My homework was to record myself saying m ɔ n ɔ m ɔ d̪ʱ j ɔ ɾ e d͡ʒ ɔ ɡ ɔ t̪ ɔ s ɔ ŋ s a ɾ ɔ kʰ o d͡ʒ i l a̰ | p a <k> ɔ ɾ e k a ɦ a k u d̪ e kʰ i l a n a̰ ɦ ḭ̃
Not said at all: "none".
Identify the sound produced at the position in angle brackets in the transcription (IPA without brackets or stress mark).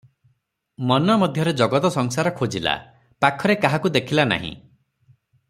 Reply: kʰ